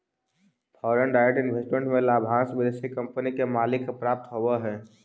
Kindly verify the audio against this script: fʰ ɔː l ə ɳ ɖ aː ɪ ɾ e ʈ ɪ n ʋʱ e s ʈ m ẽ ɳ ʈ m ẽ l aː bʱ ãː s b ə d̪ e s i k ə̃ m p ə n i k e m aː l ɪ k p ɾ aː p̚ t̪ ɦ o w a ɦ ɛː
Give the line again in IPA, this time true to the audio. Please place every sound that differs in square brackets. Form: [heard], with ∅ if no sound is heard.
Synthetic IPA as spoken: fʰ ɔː [ɾ] ə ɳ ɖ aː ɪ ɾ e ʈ ɪ n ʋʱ e s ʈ m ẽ ɳ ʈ m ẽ l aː bʱ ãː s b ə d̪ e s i k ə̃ m p ə n i k e m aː l ɪ k p ɾ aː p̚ t̪ ɦ o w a ɦ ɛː